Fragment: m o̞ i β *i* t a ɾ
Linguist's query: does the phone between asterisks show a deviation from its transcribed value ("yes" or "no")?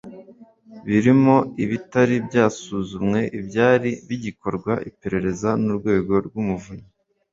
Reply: no